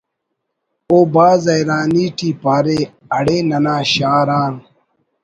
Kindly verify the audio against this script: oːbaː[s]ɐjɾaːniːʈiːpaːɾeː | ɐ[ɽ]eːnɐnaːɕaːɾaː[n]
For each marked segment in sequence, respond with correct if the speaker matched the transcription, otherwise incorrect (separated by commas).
incorrect, correct, correct